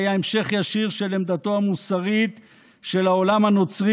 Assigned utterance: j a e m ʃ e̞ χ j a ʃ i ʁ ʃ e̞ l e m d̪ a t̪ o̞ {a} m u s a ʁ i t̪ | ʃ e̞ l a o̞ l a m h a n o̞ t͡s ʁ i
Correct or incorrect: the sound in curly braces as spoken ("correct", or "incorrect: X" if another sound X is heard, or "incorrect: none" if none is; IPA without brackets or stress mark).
correct